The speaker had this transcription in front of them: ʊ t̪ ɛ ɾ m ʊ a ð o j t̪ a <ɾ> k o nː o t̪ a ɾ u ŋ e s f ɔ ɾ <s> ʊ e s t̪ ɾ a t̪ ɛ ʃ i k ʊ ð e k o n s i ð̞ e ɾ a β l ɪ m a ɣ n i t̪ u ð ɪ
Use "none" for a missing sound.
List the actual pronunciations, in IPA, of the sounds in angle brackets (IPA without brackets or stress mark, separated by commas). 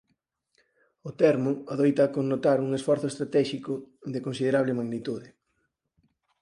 none, θ